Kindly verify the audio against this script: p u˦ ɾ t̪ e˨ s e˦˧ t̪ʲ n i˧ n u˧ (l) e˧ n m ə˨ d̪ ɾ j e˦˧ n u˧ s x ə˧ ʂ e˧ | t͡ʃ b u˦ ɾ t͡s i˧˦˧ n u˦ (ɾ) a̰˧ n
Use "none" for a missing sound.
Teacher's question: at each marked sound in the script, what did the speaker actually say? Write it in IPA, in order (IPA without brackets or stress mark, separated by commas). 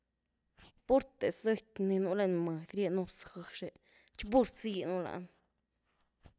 l, l